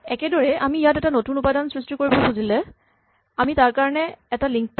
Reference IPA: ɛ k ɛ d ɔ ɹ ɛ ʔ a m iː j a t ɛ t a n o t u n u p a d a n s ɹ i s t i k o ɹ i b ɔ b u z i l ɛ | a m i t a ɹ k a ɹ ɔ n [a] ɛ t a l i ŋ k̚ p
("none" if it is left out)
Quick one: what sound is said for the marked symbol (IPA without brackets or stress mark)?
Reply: ɛ